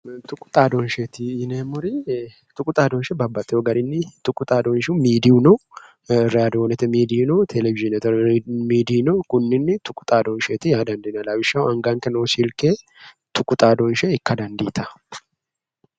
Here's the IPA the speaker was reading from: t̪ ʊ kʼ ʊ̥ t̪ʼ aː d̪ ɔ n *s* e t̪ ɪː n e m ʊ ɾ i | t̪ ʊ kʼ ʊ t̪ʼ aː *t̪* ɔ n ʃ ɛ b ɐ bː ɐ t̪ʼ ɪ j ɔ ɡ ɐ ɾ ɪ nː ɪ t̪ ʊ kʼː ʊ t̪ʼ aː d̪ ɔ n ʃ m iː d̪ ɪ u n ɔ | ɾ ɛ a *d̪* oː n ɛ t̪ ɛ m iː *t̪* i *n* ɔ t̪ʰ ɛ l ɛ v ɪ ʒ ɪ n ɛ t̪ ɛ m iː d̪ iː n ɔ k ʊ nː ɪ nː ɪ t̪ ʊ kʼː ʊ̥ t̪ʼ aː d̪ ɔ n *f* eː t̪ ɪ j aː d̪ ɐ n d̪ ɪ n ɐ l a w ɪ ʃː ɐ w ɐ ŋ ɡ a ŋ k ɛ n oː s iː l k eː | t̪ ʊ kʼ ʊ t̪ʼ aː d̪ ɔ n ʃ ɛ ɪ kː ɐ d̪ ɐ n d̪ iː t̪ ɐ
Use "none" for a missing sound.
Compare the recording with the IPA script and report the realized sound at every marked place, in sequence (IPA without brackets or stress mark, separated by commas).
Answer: ʃ, d̪, d̪, d̪, n, ʃ